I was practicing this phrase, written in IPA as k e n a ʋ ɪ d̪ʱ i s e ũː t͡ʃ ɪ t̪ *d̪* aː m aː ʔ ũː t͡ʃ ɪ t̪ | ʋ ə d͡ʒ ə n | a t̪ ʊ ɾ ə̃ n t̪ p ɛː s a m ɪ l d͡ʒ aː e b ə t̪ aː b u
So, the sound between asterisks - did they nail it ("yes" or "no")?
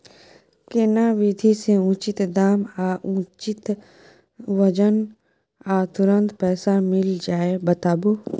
yes